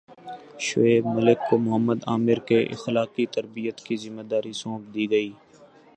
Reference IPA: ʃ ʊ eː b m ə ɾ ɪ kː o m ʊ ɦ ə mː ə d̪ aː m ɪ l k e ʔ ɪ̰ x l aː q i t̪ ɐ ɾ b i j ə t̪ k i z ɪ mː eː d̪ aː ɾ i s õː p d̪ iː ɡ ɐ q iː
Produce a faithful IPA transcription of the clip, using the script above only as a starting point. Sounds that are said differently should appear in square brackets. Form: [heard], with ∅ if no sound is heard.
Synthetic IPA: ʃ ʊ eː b m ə [l] ɪ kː o m ʊ ɦ ə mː ə d̪ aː m ɪ [ɾ] k e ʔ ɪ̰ x l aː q i t̪ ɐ ɾ b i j ə t̪ k i z ɪ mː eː d̪ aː ɾ i s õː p d̪ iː ɡ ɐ [∅] iː